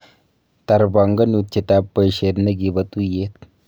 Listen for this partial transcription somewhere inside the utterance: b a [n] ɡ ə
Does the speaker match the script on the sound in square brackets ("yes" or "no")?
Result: no